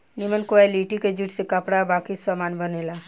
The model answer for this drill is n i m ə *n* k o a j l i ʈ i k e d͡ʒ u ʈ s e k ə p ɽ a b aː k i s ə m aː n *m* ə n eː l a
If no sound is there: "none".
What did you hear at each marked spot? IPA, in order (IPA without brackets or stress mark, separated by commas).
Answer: n, b